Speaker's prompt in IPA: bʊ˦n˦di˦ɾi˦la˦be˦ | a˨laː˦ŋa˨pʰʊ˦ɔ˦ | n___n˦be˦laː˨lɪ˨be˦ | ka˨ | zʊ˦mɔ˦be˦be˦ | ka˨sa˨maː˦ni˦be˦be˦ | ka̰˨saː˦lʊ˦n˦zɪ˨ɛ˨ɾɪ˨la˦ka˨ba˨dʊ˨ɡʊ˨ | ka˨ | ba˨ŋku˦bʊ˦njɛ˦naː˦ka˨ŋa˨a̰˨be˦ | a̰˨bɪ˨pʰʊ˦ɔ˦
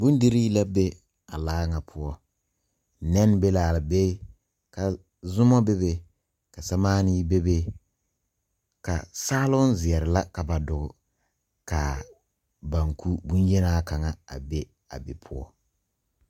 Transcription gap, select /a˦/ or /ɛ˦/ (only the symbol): ɛ˦